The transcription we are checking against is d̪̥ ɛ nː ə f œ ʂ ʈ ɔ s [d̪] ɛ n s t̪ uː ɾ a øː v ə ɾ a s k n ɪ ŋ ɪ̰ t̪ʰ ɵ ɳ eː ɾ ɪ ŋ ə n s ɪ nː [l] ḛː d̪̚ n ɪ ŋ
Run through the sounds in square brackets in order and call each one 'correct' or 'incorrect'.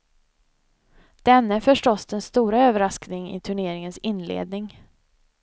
correct, correct

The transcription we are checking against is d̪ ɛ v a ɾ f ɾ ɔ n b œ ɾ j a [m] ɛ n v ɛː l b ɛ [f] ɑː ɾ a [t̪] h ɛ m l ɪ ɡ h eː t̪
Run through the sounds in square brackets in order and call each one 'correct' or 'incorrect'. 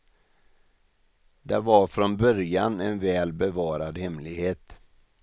incorrect: n, incorrect: v, incorrect: d̪

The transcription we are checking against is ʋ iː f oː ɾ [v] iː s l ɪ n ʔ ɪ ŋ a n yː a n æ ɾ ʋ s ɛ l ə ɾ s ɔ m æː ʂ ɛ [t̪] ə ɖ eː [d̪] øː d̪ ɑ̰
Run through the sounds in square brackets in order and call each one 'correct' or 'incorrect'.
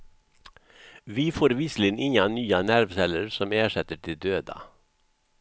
incorrect: ʋ, correct, correct

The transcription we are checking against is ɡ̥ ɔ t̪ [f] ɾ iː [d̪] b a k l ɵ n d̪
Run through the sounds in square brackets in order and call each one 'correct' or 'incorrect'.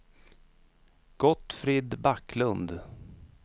correct, correct

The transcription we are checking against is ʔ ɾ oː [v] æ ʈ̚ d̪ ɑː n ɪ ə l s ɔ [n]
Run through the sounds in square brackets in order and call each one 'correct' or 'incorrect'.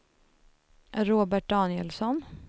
incorrect: b, correct

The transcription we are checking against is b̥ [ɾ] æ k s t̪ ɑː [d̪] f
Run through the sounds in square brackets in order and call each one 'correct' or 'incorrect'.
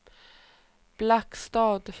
incorrect: l, correct

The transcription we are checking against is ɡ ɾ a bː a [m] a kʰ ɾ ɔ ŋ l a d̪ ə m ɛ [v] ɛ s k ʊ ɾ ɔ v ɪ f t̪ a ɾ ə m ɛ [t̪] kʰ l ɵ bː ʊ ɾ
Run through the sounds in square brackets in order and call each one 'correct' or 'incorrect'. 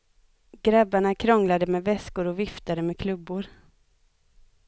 incorrect: ɳ, correct, incorrect: none

